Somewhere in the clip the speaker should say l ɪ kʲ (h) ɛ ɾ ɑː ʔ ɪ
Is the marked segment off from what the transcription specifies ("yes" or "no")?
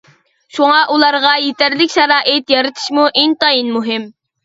yes